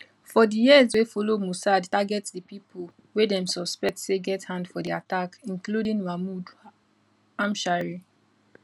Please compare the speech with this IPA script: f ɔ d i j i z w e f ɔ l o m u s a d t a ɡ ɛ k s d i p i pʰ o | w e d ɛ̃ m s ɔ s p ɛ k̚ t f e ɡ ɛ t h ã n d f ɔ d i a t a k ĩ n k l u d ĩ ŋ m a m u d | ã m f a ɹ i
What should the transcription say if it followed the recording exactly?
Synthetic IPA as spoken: f ɔ d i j i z w e f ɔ l o m u s a d t a ɡ ɛ t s d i p i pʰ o | w e d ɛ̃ m s ɔ s p ɛ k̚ t s e ɡ ɛ t h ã n d f ɔ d i a t a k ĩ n k l u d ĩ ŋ m a m u d | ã m ʃ a ɹ i